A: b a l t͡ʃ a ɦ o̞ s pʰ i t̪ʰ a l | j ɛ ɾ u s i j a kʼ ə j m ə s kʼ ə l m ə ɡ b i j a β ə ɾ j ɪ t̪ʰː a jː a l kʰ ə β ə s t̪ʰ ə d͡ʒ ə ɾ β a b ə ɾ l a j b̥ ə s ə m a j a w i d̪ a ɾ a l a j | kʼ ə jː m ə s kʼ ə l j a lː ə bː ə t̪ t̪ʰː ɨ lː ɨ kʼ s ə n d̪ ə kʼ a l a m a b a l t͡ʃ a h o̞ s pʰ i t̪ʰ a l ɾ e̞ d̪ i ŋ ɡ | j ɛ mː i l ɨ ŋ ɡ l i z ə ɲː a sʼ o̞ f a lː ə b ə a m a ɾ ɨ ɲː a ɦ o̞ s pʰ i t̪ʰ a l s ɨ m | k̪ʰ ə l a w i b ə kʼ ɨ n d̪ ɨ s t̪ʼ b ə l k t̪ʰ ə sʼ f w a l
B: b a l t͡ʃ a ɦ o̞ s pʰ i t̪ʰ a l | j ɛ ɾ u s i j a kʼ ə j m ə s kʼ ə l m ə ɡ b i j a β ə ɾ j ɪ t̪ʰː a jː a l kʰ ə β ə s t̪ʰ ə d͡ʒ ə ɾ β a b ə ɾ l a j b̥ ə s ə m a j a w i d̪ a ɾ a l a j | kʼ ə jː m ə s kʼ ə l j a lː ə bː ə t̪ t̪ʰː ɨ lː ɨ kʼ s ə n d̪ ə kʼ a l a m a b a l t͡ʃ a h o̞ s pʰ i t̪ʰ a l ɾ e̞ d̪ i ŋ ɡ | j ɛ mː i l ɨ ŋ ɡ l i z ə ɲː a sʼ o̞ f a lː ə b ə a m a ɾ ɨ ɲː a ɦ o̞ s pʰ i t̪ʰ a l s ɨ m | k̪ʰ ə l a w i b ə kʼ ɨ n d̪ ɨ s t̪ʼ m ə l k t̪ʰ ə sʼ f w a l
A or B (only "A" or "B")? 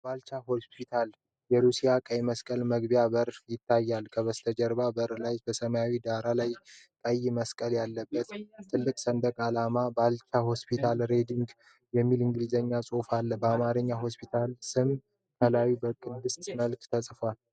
B